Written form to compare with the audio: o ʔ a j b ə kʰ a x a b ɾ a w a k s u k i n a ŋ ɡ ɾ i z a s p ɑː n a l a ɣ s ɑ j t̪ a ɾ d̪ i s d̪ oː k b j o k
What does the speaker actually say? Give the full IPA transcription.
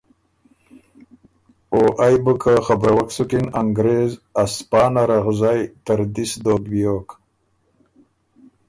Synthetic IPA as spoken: o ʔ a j b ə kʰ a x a b ɾ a w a k s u k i n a ŋ ɡ ɾ e z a s p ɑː n a ɾ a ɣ z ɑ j t̪ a ɾ d̪ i s d̪ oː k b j o k